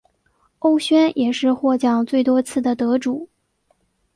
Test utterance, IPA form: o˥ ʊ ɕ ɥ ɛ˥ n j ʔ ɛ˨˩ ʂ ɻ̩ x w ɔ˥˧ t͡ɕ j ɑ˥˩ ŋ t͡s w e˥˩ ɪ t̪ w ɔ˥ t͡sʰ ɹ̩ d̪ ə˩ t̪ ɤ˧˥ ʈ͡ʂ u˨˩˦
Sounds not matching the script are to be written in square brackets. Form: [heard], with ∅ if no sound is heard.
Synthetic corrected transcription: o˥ ʊ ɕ ɥ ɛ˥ n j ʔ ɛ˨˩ ʂ ɻ̩ x w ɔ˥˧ t͡ɕ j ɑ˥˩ ŋ t͡s w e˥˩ ɪ t̪ w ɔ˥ t͡sʰ ɹ̩ d̪ ə˩ t̪ ɤ˧˥ ʈ͡ʂ u˨˩˦

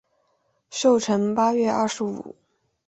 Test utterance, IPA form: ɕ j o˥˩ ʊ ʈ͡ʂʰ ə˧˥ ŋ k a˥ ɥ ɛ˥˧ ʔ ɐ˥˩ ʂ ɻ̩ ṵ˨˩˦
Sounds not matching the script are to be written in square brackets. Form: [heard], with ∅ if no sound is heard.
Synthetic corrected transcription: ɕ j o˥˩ ʊ ʈ͡ʂʰ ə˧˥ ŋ [p] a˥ ɥ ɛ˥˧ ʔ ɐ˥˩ ʂ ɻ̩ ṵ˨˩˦

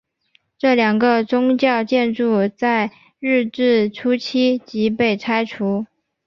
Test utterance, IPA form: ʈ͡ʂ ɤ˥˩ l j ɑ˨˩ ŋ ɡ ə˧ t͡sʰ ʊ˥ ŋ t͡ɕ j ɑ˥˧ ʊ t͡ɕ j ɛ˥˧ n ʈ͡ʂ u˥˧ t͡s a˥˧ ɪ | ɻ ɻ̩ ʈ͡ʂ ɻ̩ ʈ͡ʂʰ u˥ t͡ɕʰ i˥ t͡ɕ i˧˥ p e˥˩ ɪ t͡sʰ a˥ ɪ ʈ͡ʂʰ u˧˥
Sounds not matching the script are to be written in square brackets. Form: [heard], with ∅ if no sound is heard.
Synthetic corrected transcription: ʈ͡ʂ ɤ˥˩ l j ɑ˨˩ ŋ ɡ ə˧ [t͡s] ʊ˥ ŋ t͡ɕ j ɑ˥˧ ʊ t͡ɕ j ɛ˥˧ n ʈ͡ʂ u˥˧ t͡s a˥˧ ɪ | ɻ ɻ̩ ʈ͡ʂ ɻ̩ ʈ͡ʂʰ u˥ t͡ɕʰ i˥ t͡ɕ i˧˥ p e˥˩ ɪ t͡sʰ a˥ ɪ ʈ͡ʂʰ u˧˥

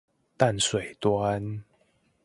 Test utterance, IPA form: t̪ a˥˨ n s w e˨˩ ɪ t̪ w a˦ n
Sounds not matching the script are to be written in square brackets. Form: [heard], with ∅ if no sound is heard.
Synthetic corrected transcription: t̪ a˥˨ n s w e˨˩ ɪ t̪ w a˦ n

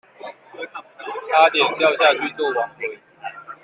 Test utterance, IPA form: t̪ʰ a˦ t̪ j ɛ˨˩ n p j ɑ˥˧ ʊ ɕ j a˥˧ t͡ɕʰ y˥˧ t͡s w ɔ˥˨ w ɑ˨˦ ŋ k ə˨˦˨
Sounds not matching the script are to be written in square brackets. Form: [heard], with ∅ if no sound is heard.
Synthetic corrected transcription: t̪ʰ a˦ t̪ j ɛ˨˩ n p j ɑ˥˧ ʊ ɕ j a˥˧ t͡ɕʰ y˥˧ t͡s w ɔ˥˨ w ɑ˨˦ ŋ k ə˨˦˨

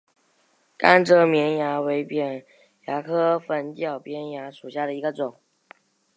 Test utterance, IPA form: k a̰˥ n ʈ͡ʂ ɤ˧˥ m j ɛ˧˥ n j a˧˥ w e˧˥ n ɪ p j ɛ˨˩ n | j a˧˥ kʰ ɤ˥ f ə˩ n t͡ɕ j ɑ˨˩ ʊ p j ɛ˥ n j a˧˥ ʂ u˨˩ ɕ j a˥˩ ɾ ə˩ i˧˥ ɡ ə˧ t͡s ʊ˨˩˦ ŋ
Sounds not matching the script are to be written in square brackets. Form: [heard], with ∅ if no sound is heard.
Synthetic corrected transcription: k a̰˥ n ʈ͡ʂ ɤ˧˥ m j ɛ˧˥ n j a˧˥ w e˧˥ [∅] ɪ p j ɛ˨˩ n | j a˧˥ kʰ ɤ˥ f [ə˧˥] n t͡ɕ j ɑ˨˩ ʊ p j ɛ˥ n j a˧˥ ʂ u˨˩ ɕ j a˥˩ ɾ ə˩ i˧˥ ɡ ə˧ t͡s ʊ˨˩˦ ŋ

